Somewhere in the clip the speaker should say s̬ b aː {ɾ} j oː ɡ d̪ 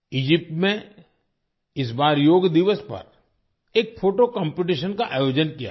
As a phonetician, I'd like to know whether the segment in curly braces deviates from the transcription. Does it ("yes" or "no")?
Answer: no